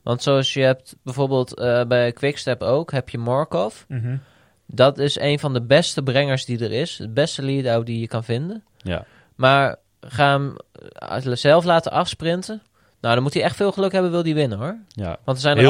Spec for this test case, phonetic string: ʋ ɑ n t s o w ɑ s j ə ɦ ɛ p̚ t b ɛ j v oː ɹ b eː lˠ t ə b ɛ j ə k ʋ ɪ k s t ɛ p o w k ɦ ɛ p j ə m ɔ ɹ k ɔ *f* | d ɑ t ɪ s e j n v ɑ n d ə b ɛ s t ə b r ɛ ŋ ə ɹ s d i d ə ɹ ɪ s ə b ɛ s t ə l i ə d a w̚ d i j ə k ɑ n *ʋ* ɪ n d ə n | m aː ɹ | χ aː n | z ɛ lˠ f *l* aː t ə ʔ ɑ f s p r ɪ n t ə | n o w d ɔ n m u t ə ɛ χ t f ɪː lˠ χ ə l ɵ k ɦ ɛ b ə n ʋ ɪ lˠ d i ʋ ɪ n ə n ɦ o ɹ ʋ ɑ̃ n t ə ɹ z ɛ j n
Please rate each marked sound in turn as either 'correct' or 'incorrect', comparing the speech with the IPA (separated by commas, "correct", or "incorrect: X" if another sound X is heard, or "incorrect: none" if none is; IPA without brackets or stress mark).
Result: correct, incorrect: v, correct